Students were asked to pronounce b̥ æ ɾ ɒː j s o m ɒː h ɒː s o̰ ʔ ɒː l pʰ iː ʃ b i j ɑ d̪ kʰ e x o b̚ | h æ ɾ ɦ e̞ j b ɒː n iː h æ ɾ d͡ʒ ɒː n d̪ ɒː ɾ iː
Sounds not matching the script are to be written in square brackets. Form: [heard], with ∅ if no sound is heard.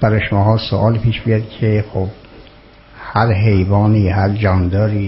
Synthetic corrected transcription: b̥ æ ɾ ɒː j [ʃ] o m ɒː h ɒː s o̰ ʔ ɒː l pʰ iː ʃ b i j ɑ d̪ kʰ e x o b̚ | h æ ɾ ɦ e̞ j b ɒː n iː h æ ɾ d͡ʒ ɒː n d̪ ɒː ɾ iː